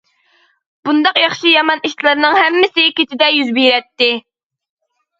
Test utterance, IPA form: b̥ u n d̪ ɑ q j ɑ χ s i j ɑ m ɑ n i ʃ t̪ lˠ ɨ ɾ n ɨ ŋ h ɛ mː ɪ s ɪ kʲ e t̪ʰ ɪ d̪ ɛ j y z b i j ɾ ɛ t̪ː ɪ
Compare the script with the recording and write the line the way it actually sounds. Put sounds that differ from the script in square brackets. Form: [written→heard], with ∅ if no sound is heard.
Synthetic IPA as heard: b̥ u n d̪ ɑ q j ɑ χ [s→ʃ] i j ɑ m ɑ n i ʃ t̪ lˠ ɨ ɾ n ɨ ŋ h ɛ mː ɪ s ɪ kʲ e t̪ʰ ɪ d̪ ɛ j y z b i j ɾ ɛ t̪ː ɪ

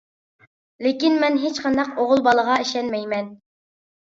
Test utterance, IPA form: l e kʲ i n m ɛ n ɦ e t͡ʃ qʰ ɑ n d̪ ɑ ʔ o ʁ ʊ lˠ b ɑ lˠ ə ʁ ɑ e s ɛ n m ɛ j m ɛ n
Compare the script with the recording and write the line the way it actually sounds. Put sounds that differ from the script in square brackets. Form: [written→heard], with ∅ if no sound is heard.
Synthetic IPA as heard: l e kʲ i n m ɛ n ɦ e t͡ʃ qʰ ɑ n d̪ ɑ [ʔ→q] o ʁ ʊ lˠ b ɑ lˠ ə ʁ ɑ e [s→ʃ] ɛ n m ɛ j m ɛ n

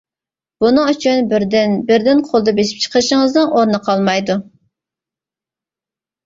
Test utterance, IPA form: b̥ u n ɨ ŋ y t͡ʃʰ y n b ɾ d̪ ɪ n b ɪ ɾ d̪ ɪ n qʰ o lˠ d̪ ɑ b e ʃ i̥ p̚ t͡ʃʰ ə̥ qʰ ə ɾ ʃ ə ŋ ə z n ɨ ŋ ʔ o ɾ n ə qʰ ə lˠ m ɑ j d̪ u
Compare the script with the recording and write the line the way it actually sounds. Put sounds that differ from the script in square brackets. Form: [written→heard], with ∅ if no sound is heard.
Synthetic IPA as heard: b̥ u n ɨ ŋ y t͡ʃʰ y n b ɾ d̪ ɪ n b ɪ ɾ d̪ ɪ n qʰ o lˠ d̪ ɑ b e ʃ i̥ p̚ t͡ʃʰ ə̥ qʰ ə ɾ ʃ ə ŋ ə z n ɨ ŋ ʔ o ɾ n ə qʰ [ə→ɑ] lˠ m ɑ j d̪ u

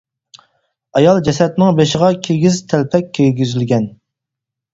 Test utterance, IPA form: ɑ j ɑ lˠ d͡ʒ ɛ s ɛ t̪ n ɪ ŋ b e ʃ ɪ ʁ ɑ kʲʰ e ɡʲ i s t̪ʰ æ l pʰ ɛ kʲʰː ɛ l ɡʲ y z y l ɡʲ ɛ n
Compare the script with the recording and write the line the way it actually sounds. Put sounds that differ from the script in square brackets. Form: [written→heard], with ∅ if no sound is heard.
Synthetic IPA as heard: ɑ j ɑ lˠ d͡ʒ ɛ s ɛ t̪ n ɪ ŋ b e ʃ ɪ ʁ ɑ kʲʰ e ɡʲ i [s→z] t̪ʰ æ l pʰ ɛ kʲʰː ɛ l ɡʲ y z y l ɡʲ ɛ n

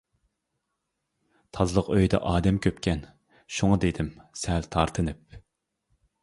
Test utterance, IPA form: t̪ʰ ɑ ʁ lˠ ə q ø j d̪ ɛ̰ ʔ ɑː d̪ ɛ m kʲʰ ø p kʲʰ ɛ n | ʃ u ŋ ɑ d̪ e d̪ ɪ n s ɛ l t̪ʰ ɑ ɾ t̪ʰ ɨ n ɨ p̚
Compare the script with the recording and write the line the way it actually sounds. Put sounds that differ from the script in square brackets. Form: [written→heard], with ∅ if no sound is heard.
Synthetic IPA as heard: t̪ʰ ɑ [ʁ→z] lˠ ə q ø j d̪ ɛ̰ ʔ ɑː d̪ ɛ m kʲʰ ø p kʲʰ ɛ n | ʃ u ŋ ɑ d̪ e d̪ ɪ [n→m] s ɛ l t̪ʰ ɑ ɾ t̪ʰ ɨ n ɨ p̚

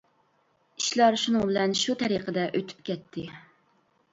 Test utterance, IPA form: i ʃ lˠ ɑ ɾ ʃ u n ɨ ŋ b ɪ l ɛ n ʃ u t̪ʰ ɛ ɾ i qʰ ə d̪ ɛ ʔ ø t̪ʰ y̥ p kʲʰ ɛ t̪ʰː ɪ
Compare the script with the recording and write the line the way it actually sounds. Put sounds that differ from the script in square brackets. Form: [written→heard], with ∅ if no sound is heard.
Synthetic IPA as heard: i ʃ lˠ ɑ ɾ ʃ u n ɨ ŋ b ɪ l ɛ n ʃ u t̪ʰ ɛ ɾ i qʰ ə d̪ ɛ ʔ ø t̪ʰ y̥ p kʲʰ ɛ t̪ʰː ɪ

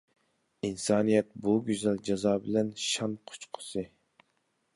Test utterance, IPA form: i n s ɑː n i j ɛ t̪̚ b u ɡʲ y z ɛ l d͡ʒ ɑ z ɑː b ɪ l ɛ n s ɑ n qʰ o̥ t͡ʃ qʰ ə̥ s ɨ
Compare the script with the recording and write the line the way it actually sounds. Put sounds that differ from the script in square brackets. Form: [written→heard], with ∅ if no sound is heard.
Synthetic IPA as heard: i n s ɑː n i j ɛ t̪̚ b u ɡʲ y z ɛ l d͡ʒ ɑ z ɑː b ɪ l ɛ n [s→ʃ] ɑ n qʰ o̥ t͡ʃ qʰ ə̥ s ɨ

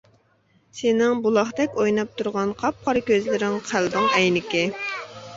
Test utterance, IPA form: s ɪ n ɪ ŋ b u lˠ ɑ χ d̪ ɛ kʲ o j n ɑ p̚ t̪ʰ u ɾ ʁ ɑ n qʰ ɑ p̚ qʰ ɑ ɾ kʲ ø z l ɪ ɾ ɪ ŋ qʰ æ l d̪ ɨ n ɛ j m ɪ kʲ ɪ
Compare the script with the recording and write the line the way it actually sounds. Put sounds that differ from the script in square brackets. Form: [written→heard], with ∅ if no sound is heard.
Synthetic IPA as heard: s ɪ n ɪ ŋ b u lˠ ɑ χ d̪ ɛ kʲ o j n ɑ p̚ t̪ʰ u ɾ ʁ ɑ n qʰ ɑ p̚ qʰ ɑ ɾ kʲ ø z l ɪ ɾ ɪ ŋ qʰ æ l d̪ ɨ [n→ŋ] ɛ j [m→n] ɪ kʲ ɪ

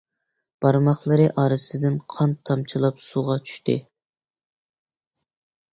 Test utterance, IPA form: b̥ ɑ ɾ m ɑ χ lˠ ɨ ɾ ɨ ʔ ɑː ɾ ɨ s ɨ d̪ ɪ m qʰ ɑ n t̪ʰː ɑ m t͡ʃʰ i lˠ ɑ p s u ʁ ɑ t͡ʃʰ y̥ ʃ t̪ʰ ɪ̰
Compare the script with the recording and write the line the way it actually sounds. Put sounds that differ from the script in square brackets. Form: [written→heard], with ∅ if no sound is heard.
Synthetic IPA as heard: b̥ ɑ ɾ m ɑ χ lˠ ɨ ɾ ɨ ʔ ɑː ɾ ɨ s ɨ d̪ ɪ [m→n] qʰ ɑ n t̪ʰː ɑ m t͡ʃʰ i lˠ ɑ p s u ʁ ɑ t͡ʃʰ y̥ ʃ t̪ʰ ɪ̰

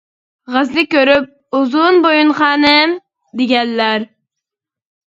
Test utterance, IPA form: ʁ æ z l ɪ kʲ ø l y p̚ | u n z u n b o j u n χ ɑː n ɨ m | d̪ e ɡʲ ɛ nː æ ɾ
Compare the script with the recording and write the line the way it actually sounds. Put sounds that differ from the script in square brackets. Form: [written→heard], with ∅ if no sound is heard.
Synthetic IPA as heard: ʁ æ z l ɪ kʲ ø [l→ɾ] y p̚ | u [n→∅] z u n b o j u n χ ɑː n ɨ m | d̪ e ɡʲ ɛ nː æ ɾ

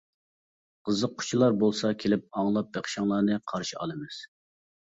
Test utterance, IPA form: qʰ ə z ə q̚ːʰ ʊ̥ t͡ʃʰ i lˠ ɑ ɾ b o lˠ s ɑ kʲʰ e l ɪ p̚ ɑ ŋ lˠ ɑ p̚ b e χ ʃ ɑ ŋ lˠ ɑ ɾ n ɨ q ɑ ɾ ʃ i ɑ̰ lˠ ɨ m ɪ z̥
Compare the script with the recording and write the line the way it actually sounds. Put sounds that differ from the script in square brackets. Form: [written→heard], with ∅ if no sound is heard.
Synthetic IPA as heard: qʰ ə z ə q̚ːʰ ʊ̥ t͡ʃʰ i lˠ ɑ ɾ b o lˠ s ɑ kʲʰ e l ɪ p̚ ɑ ŋ lˠ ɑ p̚ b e χ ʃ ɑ ŋ lˠ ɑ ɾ n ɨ [q→qʰ] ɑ ɾ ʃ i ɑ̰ lˠ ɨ m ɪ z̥

